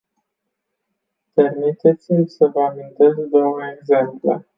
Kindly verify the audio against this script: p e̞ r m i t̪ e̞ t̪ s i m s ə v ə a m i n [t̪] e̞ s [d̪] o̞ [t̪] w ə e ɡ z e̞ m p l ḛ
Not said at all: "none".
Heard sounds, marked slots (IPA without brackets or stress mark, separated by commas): t̪, d̪, none